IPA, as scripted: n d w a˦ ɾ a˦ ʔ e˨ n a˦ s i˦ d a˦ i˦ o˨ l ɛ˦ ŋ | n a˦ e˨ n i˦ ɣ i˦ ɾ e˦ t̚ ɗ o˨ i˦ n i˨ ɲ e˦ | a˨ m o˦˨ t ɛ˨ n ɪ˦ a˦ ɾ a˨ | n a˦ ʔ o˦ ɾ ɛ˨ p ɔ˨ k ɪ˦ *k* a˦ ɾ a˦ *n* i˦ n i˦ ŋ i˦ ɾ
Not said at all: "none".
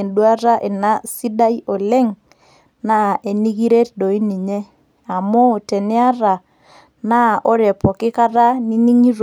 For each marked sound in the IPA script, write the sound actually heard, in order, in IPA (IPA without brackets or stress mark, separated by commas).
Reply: k, n